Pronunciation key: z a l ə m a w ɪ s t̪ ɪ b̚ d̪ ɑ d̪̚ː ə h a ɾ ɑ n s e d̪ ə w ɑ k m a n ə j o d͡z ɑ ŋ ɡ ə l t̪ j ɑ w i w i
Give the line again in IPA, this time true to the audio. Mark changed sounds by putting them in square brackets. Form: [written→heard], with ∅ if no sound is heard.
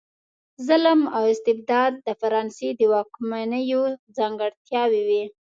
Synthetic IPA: z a l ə m a w ɪ s t̪ ɪ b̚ d̪ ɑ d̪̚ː ə [h→f] a ɾ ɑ n s e d̪ ə w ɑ k m a n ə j o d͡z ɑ ŋ ɡ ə [l→ɽ] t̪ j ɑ w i w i